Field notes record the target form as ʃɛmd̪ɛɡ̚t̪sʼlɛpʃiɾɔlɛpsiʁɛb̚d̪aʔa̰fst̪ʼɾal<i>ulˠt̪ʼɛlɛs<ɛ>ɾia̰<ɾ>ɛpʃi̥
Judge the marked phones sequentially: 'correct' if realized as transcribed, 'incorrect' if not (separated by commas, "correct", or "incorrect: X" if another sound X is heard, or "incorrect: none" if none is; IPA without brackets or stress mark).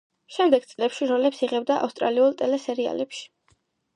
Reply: correct, correct, incorrect: l